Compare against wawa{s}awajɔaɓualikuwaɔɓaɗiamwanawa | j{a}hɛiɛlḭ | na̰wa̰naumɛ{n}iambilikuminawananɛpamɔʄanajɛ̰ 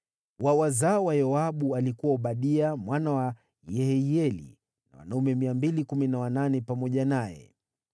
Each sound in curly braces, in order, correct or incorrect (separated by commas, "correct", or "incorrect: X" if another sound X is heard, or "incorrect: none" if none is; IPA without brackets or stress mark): incorrect: z, incorrect: ɛ, incorrect: m